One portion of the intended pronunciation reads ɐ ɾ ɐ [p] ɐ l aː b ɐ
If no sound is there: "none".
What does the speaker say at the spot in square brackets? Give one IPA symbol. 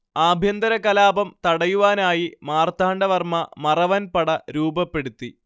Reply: k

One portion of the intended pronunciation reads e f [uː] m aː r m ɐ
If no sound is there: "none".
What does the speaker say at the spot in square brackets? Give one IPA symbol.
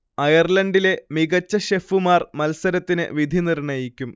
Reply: u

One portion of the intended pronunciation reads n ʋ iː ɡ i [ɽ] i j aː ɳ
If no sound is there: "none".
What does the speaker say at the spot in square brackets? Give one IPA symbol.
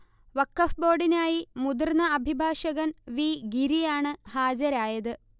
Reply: ɾ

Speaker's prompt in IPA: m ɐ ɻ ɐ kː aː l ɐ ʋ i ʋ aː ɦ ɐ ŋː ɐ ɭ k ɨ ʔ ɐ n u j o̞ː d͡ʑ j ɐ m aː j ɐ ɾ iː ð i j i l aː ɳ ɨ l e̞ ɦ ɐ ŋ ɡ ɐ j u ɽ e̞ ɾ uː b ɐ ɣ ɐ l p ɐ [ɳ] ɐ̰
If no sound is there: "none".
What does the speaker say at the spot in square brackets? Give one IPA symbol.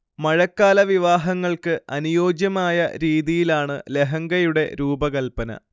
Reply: n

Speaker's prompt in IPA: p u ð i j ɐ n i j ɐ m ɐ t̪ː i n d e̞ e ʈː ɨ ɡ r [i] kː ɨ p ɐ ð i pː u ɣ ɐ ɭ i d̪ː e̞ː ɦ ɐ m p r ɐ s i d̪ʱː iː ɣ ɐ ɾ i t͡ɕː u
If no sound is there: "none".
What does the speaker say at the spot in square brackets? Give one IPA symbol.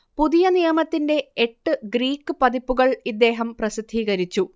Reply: iː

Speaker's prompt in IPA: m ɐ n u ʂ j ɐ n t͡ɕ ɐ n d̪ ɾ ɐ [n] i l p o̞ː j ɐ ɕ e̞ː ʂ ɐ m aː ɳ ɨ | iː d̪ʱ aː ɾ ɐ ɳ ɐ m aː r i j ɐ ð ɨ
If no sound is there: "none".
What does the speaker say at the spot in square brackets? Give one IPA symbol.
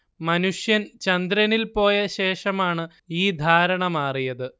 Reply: n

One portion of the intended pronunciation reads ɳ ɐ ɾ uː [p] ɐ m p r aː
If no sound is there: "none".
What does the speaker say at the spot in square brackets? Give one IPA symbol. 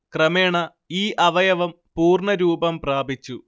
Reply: b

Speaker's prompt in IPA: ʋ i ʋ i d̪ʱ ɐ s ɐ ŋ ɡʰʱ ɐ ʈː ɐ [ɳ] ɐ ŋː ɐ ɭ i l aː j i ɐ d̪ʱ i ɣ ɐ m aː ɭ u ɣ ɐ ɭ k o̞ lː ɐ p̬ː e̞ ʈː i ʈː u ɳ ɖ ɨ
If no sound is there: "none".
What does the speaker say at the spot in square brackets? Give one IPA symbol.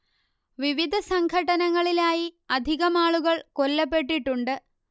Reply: n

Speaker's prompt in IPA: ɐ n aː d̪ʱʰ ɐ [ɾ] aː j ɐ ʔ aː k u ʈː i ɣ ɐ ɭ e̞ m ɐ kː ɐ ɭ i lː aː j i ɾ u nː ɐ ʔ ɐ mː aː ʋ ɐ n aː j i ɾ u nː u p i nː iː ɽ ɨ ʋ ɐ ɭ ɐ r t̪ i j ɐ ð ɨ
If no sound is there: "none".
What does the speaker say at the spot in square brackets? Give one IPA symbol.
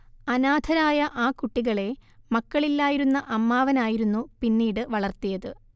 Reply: ɾ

